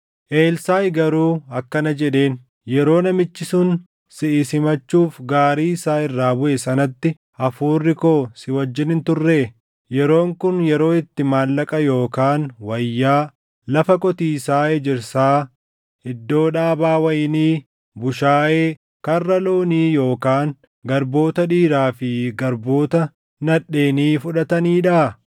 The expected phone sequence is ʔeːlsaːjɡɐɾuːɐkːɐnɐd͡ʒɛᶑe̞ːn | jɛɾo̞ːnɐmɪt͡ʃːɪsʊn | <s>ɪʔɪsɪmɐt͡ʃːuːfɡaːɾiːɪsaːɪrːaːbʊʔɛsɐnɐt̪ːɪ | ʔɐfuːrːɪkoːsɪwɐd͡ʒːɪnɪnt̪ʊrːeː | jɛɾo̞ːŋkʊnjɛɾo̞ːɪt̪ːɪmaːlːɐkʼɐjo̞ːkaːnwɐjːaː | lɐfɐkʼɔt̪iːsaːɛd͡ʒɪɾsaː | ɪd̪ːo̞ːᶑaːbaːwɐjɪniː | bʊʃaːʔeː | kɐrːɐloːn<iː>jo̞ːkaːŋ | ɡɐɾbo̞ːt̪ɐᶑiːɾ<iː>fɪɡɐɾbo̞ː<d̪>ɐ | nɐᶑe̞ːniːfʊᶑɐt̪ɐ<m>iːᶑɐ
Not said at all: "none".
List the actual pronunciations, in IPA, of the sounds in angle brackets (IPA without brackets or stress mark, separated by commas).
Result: s, iː, aː, t̪, n